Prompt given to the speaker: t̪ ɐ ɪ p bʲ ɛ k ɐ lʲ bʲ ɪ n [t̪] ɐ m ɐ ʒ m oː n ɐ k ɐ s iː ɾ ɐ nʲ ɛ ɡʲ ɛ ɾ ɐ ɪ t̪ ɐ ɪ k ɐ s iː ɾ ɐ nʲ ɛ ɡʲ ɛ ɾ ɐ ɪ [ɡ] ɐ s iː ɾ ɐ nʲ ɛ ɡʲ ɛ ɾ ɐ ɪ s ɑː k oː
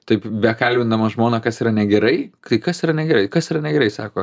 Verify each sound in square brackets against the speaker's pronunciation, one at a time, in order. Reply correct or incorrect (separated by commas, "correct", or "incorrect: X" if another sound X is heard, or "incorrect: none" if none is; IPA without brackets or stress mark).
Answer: incorrect: d̪, incorrect: k